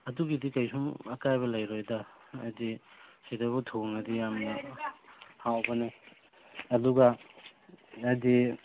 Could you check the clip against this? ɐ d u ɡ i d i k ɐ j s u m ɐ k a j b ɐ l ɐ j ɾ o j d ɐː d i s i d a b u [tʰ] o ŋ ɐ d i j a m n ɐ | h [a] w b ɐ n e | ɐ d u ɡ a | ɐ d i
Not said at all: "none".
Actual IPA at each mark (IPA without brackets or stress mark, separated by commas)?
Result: tʰ, a